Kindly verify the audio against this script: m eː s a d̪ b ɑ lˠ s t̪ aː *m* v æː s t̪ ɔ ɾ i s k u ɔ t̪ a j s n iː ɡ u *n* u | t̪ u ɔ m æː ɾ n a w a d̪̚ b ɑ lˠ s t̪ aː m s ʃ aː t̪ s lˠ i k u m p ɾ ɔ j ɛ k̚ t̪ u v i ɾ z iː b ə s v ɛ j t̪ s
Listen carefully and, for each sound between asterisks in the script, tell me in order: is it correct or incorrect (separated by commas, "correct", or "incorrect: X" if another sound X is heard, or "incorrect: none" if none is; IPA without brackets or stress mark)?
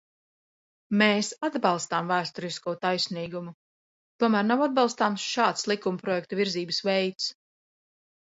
correct, incorrect: m